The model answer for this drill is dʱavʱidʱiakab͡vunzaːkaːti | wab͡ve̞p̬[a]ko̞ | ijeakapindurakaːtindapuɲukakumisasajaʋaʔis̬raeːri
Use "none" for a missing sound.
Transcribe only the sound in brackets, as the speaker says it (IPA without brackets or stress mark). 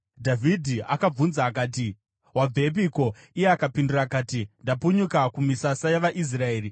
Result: i